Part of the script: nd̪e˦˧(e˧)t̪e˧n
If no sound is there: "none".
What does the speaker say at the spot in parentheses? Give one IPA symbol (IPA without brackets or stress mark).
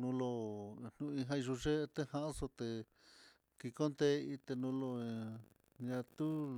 i˧